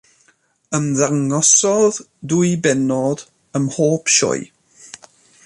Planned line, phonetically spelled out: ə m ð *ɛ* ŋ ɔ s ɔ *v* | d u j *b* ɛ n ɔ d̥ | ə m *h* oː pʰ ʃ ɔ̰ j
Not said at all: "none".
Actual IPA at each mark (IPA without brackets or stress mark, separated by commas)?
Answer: a, ð, b, h